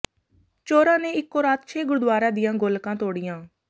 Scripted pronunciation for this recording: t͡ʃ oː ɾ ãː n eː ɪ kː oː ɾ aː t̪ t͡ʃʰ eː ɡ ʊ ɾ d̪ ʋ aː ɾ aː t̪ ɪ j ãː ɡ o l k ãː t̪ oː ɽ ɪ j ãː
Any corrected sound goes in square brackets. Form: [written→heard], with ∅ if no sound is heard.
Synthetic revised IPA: t͡ʃ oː ɾ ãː n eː ɪ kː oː ɾ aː t̪ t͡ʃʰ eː ɡ ʊ ɾ d̪ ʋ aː ɾ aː [t̪→d̪] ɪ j ãː ɡ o l k ãː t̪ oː ɽ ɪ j ãː